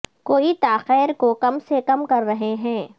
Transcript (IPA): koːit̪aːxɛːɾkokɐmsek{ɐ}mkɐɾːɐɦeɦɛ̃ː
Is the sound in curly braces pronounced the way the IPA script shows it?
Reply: yes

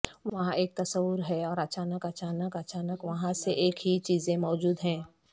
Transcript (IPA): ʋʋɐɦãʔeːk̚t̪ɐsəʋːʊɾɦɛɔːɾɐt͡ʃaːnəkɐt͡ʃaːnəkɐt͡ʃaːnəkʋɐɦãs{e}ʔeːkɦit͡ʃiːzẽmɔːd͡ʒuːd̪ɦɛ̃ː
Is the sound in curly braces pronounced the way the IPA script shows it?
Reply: yes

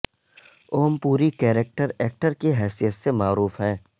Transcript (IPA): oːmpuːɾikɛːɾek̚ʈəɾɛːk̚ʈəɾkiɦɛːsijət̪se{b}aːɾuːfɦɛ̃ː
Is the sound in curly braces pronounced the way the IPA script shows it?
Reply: no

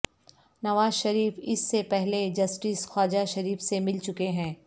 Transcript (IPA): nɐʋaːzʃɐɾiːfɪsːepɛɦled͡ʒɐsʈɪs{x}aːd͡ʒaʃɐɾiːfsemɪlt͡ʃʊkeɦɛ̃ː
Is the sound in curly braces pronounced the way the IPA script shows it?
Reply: yes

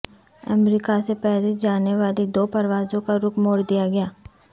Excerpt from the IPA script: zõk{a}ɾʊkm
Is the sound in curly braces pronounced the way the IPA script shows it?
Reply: yes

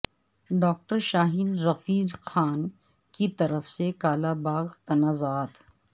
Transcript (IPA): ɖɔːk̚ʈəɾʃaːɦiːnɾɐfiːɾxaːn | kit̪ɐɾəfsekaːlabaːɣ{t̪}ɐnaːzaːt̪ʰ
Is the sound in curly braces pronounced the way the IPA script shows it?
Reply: yes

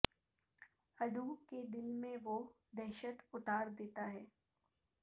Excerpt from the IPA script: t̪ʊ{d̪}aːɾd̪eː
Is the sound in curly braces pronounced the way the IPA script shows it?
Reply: no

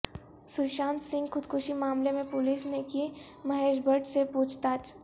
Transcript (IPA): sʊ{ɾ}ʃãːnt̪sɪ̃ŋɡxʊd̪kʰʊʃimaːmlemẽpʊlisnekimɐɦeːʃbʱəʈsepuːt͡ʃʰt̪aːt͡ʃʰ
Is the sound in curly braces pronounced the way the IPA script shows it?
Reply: yes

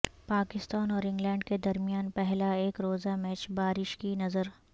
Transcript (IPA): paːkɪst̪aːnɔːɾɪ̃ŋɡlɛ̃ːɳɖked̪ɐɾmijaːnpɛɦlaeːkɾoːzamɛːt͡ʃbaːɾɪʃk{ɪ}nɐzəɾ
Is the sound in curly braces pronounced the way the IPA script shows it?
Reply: no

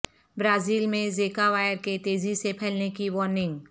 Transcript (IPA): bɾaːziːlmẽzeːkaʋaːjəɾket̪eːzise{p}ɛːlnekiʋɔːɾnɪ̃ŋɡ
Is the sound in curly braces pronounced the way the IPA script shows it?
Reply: no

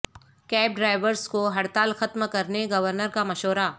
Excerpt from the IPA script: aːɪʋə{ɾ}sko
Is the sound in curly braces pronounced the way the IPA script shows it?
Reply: yes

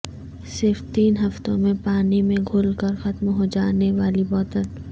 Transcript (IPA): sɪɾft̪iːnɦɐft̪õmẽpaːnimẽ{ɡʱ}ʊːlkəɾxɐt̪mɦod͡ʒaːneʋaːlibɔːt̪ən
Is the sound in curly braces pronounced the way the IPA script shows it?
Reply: yes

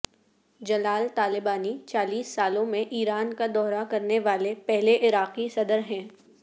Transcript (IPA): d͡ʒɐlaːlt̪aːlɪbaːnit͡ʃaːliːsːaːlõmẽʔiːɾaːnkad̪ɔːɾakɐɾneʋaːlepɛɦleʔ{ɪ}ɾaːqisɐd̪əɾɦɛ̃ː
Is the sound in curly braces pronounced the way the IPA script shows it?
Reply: yes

